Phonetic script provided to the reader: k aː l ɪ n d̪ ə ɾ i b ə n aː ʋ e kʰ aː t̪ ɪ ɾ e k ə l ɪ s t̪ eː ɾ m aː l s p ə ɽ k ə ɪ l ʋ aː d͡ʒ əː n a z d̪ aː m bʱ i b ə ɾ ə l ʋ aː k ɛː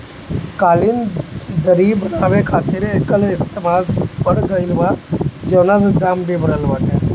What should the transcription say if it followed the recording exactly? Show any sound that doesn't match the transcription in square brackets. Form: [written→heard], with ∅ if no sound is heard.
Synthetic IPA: k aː l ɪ n d̪ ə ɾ i b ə n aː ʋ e kʰ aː t̪ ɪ ɾ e k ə l ɪ s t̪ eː [ɾ→∅] m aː l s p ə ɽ [k→ɡ] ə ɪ l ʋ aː d͡ʒ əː n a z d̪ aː m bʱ i b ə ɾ ə l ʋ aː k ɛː